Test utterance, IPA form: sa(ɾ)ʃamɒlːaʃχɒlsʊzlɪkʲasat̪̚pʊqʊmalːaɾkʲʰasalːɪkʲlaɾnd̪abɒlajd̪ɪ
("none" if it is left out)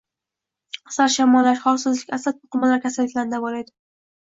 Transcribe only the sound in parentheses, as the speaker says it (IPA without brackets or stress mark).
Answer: ɾ